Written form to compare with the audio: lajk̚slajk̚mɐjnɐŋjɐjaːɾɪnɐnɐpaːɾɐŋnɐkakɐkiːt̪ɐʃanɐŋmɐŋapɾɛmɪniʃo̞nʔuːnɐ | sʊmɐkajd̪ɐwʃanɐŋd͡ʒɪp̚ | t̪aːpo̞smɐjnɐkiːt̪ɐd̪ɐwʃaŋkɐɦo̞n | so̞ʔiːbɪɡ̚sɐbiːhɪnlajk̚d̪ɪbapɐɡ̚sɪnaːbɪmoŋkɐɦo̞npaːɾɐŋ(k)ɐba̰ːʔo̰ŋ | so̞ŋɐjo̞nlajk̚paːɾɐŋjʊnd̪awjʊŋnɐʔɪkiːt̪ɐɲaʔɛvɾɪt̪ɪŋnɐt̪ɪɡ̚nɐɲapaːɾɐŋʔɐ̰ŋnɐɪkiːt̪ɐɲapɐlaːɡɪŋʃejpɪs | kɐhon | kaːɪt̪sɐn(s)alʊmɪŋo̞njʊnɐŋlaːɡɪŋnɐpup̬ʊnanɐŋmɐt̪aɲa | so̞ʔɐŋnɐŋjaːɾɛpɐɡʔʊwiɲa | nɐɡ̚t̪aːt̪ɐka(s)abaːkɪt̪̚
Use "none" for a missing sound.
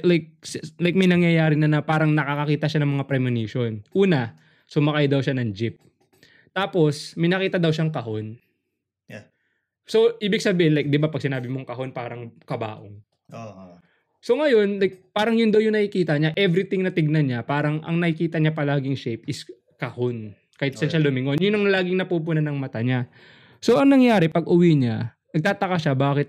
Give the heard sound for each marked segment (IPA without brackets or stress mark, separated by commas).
k, ʃ, ʃ